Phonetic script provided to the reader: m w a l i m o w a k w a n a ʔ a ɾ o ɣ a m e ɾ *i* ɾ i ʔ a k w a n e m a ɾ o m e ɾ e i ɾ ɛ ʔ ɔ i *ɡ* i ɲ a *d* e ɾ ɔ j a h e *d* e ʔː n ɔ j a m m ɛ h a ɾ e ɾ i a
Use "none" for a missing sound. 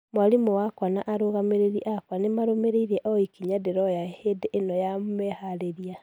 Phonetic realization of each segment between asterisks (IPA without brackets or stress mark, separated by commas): e, k, d, d